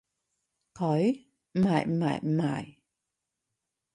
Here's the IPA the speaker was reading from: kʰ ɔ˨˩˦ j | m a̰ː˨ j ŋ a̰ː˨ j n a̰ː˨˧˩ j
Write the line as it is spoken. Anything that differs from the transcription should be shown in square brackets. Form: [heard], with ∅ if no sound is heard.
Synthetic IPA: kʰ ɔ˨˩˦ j | m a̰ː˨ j [m] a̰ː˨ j [m] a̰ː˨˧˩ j